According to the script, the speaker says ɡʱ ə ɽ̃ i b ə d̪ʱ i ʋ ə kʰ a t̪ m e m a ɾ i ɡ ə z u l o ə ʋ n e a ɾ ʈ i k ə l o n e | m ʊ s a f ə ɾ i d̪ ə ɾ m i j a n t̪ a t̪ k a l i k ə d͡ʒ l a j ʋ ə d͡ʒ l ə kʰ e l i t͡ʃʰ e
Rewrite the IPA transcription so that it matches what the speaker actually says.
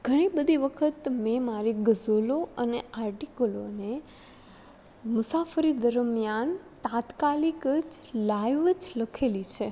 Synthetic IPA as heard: ɡʱ ə ɽ̃ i b ə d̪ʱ i ʋ ə kʰ ə t̪ m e m a ɾ i ɡ ə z o l o ə n e a ɾ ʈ i k ə l o n e | m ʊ s a f ə ɾ i d̪ ə ɾ m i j a n t̪ a t̪ k a l i k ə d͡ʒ l a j ʋ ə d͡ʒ l ə kʰ e l i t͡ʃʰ e